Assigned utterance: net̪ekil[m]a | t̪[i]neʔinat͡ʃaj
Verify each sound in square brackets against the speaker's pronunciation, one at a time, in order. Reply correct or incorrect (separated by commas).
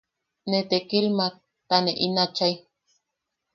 correct, incorrect